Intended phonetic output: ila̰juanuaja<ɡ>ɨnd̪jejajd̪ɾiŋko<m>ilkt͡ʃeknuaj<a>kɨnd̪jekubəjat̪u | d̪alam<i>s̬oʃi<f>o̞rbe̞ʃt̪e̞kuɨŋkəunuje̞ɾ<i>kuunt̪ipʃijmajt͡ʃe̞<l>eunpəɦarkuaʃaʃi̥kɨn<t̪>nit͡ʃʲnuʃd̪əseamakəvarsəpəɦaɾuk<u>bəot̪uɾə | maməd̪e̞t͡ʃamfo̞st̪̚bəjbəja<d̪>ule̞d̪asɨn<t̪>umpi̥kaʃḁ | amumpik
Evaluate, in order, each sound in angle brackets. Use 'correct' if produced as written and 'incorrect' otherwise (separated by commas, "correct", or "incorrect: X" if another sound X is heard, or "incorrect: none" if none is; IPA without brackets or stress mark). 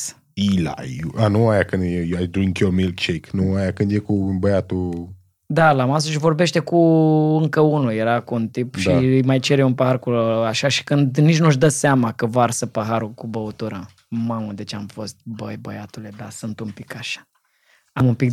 incorrect: k, correct, correct, incorrect: a, incorrect: v, incorrect: a, incorrect: ɾ, incorrect: d̪, correct, incorrect: t̪, correct